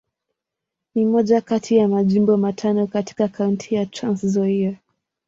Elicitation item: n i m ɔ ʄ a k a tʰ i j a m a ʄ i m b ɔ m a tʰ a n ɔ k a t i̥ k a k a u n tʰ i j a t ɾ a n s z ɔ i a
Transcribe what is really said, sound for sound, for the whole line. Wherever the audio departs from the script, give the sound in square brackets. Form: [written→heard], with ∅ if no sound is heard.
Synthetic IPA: n i m ɔ ʄ a k a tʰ i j a m a ʄ i m b ɔ m a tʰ a n ɔ k a t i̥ k a k a u n tʰ i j a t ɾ a n s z ɔ i a

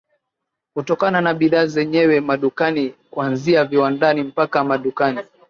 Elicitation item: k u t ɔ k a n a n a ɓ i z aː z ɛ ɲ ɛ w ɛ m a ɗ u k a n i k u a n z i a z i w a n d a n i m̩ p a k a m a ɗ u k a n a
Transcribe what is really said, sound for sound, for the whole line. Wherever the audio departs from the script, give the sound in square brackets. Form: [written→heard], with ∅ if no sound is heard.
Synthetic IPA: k u t ɔ k a n a n a ɓ i [z→ð] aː z ɛ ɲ ɛ w ɛ m a ɗ u k a n i k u a n z i a [z→v] i w a n d a n i m̩ p a k a m a ɗ u k a n [a→i]

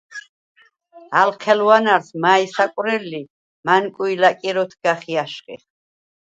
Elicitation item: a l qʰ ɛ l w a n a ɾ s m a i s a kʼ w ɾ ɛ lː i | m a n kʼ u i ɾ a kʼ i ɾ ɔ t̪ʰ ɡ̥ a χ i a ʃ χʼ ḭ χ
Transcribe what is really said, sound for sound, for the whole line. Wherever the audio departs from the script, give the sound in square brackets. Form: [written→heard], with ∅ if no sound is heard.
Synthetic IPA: a l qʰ ɛ l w a n a ɾ s m a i s a kʼ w ɾ ɛ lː i | m a n kʼ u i [ɾ→l] a kʼ i ɾ ɔ t̪ʰ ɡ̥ a χ i a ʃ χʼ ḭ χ

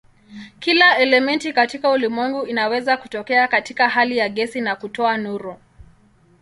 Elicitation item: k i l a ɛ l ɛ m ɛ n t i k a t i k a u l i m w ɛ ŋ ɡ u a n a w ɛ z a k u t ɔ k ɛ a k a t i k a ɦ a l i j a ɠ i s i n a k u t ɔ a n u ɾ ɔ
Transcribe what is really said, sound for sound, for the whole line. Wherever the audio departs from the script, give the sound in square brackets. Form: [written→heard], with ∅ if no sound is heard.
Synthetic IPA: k i l a ɛ l ɛ m ɛ n t i k a t i k a u l i m w ɛ ŋ ɡ u [a→i] n a w ɛ z a k u t ɔ k ɛ a k a t i k a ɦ a l i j a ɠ [i→ɛ] s i n a k u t ɔ a n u ɾ ɔ

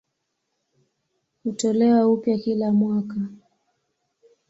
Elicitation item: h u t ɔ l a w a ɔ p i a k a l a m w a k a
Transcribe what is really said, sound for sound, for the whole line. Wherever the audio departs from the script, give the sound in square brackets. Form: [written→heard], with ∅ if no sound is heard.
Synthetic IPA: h u t ɔ l [a→ɛ] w a [ɔ→u] p [i→j] a k [a→i] l a m w a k a

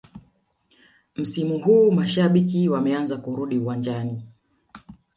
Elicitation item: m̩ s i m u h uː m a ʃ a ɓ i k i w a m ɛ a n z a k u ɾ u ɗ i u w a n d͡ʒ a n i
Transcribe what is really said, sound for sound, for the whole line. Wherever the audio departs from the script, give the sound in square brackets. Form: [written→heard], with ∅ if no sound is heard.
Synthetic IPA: m̩ s i m u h uː m a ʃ a ɓ i k i w a m ɛ a n z a k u ɾ u ɗ i u w a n d͡ʒ a n i

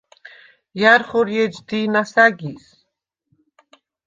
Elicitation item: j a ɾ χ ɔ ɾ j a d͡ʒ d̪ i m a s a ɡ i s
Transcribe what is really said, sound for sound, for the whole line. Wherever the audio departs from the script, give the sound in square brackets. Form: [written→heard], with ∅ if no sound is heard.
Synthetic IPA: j a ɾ χ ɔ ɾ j [a→ɛ] d͡ʒ d̪ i [m→n] a s a ɡ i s

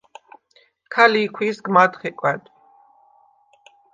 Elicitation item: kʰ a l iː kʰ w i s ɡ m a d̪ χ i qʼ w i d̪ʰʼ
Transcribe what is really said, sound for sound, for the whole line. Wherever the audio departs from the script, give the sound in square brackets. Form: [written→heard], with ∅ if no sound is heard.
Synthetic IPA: kʰ a l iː kʰ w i s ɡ m a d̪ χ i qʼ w [i→ɛ] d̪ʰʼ

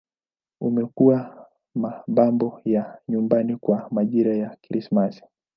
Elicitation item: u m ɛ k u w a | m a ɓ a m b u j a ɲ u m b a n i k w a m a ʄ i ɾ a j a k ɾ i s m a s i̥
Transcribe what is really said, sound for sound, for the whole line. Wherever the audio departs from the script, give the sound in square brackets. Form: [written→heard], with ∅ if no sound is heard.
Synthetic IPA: u m ɛ k u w a | m a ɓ a m b [u→ɔ] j a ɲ u m b a n i k w a m a ʄ i ɾ a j a k ɾ i s m a s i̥

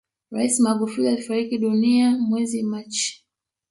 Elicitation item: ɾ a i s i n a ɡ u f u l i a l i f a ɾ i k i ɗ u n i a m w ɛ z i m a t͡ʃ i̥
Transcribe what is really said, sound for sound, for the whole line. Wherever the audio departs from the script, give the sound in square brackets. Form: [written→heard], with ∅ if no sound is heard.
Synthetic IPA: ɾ a i s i [n→m] a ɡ u f u l i a l i f a ɾ i k i ɗ u n i a m w ɛ z i m a t͡ʃ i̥

